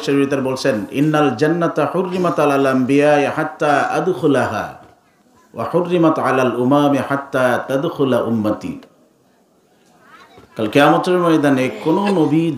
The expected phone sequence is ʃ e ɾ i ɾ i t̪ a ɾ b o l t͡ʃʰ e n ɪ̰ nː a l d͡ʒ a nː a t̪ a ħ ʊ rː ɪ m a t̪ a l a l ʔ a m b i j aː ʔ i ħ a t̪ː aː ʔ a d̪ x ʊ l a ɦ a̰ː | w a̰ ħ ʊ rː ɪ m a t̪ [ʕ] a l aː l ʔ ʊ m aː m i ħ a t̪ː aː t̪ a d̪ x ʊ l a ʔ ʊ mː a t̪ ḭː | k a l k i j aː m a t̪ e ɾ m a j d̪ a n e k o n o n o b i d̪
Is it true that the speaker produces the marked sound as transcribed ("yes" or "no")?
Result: yes